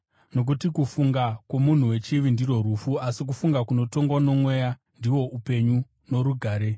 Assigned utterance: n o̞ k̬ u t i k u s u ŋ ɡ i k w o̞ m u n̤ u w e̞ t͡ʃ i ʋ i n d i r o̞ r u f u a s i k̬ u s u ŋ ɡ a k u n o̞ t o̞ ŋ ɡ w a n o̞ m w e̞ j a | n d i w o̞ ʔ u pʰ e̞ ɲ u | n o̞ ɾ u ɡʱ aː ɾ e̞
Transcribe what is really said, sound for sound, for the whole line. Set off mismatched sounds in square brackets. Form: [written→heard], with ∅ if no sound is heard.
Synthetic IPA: n o̞ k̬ u t i k u [s→f] u ŋ ɡ [i→a] k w o̞ m u n̤ u w e̞ t͡ʃ i ʋ i n d i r o̞ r u f u a s i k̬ u [s→f] u ŋ ɡ a k u n o̞ t o̞ ŋ ɡ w a n o̞ m w e̞ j a | n d i w o̞ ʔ u [pʰ→p] e̞ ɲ u | n o̞ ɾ u ɡʱ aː ɾ e̞

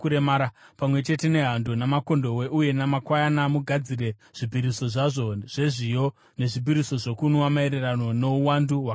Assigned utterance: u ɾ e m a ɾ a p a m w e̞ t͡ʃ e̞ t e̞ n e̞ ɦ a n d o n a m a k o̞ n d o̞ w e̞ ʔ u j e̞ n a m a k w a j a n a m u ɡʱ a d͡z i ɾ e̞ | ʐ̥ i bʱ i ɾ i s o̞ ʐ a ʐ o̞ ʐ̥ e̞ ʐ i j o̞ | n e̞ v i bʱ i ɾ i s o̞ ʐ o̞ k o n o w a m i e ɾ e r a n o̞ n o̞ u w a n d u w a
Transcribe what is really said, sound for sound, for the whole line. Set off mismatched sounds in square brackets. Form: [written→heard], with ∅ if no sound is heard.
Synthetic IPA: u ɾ e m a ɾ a p a m w e̞ t͡ʃ e̞ t e̞ n e̞ ɦ a n d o n a m a k o̞ n d o̞ w e̞ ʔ u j e̞ n a m a k w a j a n a m u ɡʱ a d͡z i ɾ e̞ | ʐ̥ i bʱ i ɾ i s o̞ ʐ a ʐ o̞ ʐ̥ e̞ ʐ i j o̞ | n e̞ [v→ʐ] i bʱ i ɾ i s o̞ ʐ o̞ k [o→u] n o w a m [i→a] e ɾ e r a n o̞ n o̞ u w a n d u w a

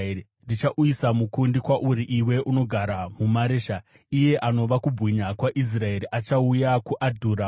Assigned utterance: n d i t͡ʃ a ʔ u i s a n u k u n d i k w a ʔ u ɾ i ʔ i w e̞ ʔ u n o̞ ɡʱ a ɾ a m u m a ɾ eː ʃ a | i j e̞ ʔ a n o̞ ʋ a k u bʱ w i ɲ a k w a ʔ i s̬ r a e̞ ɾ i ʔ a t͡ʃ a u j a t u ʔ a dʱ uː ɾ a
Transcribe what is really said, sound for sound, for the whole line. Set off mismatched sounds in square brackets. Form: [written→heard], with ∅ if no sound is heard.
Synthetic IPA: n d i t͡ʃ a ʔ u i s a [n→m] u k u n d i k w a ʔ u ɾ i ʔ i w e̞ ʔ u n o̞ ɡʱ a ɾ a m u m a ɾ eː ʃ a | i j e̞ ʔ a n o̞ ʋ a k u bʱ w i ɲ a k w a ʔ i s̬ r a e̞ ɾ i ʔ a t͡ʃ a u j a [t→k] u ʔ a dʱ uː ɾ a

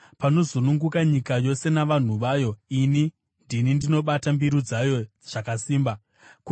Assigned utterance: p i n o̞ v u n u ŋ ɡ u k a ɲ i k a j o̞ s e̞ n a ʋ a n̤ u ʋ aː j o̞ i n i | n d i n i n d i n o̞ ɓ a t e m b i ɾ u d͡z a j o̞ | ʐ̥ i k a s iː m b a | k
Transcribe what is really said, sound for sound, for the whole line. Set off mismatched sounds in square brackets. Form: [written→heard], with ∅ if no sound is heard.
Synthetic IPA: p [i→a] n o̞ [v→z] u n u ŋ ɡ u k a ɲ i k a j o̞ s e̞ n a ʋ a n̤ u ʋ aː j o̞ i n i | n d i n i n d i n o̞ ɓ a t [e→a] m b i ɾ u d͡z a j o̞ | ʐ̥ [i→a] k a s iː m b a | k

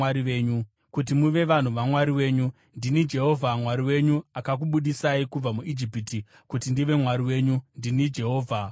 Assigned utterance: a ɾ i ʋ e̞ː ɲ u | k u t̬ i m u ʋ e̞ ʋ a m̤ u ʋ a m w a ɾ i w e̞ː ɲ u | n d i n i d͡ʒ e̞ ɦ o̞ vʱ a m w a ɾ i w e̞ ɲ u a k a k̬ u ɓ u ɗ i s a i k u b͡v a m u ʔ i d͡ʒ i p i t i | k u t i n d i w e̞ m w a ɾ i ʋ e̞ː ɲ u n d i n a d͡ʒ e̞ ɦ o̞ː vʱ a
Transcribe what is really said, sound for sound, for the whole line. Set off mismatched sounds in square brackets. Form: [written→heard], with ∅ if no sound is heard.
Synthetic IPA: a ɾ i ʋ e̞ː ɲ u | k u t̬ i m u ʋ e̞ ʋ a [m̤→n̤] u ʋ a m w a ɾ i w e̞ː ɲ u | n d i n i d͡ʒ e̞ ɦ o̞ vʱ a m w a ɾ i w e̞ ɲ u a k a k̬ u ɓ u ɗ i s a i k u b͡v a m u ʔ i d͡ʒ i p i t i | k u t i n d i [w→ʋ] e̞ m w a ɾ i [ʋ→w] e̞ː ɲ u n d i n [a→i] d͡ʒ e̞ ɦ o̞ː vʱ a

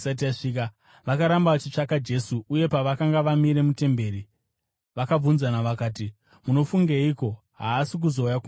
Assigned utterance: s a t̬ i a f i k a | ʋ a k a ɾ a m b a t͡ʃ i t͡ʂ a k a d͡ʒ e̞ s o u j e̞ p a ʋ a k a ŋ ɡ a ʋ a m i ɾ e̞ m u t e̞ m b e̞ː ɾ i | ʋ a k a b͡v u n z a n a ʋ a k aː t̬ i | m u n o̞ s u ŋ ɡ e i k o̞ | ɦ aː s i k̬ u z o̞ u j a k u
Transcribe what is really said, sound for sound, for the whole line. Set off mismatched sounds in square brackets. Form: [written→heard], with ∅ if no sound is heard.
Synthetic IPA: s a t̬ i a [f→ʂ] i k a | ʋ a k a ɾ a m b a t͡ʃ i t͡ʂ a k a d͡ʒ e̞ s [o→u] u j e̞ p a ʋ a k a ŋ ɡ a ʋ a m i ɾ e̞ m u t e̞ m b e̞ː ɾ i | ʋ a k a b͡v u n z a n a ʋ a k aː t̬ i | m u n o̞ [s→f] u ŋ ɡ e i k o̞ | ɦ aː s i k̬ u z o̞ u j a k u

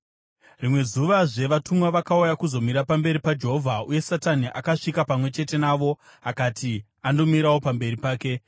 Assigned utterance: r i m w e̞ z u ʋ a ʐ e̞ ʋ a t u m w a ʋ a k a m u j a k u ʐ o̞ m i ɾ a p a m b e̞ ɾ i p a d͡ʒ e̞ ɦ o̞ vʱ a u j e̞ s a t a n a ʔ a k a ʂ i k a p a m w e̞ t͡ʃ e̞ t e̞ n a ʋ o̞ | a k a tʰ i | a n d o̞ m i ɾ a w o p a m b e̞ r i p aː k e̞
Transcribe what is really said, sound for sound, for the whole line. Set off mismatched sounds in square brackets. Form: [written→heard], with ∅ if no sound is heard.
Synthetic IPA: r i m w e̞ z u ʋ a ʐ e̞ ʋ a t u m w a ʋ a k a [m→∅] u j a k u [ʐ→z] o̞ m i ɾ a p a m b e̞ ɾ i p a d͡ʒ e̞ ɦ o̞ vʱ a u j e̞ s a t a n [a→i] ʔ a k a ʂ i k a p a m w e̞ t͡ʃ e̞ t e̞ n a ʋ o̞ | a k a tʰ i | a n d o̞ m i ɾ a w o p a m b e̞ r i p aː k e̞

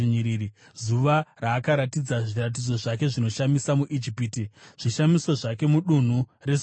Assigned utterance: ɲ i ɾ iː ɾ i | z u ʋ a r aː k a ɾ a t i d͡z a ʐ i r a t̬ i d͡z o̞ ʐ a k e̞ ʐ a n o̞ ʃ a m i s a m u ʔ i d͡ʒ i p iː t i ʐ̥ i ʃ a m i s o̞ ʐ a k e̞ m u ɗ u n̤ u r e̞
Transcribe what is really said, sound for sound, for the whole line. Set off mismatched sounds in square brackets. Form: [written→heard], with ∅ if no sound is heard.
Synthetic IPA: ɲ i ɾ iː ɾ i | z u ʋ a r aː k a ɾ a t i d͡z a ʐ i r a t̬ i d͡z o̞ ʐ a k e̞ ʐ [a→i] n o̞ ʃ a m i s a m u ʔ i d͡ʒ i p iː t i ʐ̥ i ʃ a m i s o̞ ʐ a k e̞ m u ɗ u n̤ u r e̞

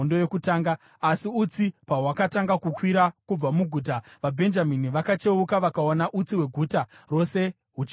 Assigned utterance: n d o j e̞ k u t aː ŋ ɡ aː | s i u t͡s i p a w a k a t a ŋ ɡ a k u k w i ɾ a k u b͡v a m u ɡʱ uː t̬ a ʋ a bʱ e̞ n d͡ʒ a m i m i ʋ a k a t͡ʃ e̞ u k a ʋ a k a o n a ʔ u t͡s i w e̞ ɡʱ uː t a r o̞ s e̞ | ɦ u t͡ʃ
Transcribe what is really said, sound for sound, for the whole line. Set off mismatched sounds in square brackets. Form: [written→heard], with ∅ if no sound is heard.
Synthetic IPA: n d o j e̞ k u t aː ŋ ɡ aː | s i u t͡s i p a w a k a t a ŋ ɡ a k u k w i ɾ a k u b͡v a m u ɡʱ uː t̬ a ʋ a bʱ e̞ n d͡ʒ a m i [m→n] i ʋ a k a t͡ʃ e̞ u k a ʋ a k a o n a ʔ u t͡s i w e̞ ɡʱ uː t a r o̞ s e̞ | ɦ u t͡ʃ

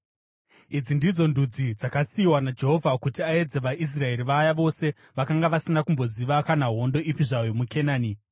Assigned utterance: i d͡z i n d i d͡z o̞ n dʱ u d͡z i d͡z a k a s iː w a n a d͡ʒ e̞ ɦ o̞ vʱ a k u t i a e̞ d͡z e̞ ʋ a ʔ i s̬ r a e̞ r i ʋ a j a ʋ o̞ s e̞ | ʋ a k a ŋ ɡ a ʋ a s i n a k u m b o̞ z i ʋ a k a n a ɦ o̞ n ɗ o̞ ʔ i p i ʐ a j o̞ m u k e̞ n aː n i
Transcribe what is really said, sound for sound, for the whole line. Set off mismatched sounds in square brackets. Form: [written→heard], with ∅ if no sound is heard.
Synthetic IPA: i d͡z i n d i d͡z o̞ n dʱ u d͡z i d͡z a k a s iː w a n a d͡ʒ e̞ ɦ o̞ vʱ a k u t i a e̞ d͡z e̞ ʋ a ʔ i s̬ r a e̞ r i ʋ a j a ʋ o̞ s e̞ | ʋ a k a ŋ ɡ a ʋ a s i n a k u m b o̞ z i ʋ a k a n a ɦ o̞ n [ɗ→d] o̞ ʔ i p i ʐ a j o̞ m u k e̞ n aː n i

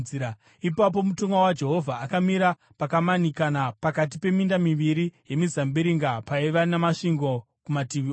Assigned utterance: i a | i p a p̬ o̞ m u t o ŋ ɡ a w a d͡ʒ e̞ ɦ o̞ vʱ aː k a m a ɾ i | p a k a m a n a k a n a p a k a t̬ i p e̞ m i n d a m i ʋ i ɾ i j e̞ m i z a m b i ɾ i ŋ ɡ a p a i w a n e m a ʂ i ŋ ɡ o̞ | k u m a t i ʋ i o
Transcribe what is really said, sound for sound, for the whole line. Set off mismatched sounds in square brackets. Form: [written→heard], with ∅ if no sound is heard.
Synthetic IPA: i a | i p a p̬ o̞ m u t o ŋ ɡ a w a d͡ʒ e̞ ɦ o̞ vʱ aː k a m [a→i] ɾ [i→a] | p a k a m a n [a→i] k a n a p a k a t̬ i p e̞ m i n d a m i ʋ i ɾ i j e̞ m i z a m b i ɾ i ŋ ɡ a p a i [w→ʋ] a n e m a ʂ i ŋ ɡ o̞ | k u m a t i ʋ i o

